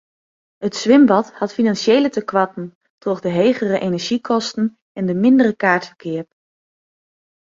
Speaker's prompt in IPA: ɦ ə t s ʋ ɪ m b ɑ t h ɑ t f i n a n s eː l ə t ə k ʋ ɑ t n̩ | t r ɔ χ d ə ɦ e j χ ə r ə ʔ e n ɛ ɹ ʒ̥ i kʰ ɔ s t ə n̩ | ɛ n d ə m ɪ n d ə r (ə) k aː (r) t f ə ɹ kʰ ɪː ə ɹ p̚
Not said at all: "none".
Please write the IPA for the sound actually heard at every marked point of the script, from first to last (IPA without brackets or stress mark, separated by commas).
ə, ɹ